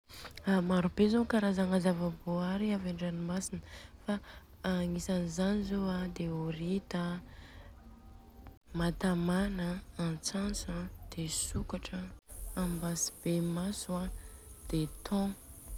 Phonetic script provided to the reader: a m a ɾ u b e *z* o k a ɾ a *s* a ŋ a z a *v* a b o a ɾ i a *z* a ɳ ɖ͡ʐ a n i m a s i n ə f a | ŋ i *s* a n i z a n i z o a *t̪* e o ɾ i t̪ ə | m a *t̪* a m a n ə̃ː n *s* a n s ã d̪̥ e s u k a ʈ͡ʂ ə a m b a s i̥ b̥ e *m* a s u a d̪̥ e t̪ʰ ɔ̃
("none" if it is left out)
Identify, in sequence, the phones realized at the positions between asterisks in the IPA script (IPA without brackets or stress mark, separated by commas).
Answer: z, z, v, v, s, d̪, t̪, t͡s, m